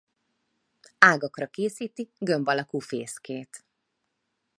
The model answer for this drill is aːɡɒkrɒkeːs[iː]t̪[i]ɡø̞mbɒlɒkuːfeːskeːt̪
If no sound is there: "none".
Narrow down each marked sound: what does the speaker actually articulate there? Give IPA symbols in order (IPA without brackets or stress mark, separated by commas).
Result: iː, i